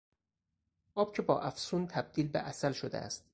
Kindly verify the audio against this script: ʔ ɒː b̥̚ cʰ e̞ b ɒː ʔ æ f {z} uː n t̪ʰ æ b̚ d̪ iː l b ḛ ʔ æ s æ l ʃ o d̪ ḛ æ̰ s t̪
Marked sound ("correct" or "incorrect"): incorrect